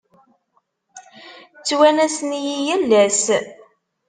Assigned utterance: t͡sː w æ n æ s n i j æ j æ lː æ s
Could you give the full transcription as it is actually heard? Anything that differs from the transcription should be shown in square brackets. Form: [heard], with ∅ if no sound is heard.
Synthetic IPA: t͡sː w æ n æ s n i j [i] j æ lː æ s